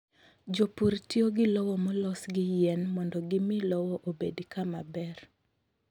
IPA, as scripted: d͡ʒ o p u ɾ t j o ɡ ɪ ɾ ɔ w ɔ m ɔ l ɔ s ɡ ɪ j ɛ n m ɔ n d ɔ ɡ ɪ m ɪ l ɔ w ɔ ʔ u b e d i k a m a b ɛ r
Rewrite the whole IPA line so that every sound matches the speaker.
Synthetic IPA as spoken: d͡ʒ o p u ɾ t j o ɡ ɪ l ɔ w ɔ m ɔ l ɔ s ɡ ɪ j ɛ n m ɔ n d ɔ ɡ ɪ m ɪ l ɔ w ɔ ʔ o b e d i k a m a b ɛ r